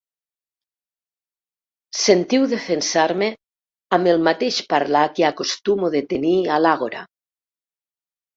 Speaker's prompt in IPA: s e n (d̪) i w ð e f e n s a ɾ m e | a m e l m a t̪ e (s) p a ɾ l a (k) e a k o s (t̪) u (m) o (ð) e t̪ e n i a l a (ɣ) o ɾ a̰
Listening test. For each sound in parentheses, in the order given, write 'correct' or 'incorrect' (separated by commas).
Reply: incorrect, incorrect, correct, correct, correct, correct, correct